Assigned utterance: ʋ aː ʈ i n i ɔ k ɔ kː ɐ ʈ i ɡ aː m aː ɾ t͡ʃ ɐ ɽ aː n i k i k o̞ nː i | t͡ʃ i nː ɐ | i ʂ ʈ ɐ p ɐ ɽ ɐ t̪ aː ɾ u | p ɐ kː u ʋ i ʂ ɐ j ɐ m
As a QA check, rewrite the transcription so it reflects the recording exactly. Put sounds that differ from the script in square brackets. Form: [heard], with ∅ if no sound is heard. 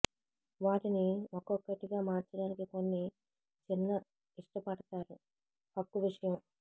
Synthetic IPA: ʋ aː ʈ i n i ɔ k ɔ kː ɐ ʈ i ɡ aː m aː ɾ t͡ʃ ɐ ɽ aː n i k i k o̞ nː i | t͡ʃ i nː ɐ | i ʂ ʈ ɐ p ɐ ɽ ɐ t̪ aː ɾ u | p ɐ kː u ʋ i ʂ ɐ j ɐ m